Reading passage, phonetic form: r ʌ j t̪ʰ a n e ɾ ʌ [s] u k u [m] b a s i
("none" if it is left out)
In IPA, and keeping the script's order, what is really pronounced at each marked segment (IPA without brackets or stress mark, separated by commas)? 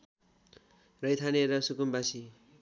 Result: s, m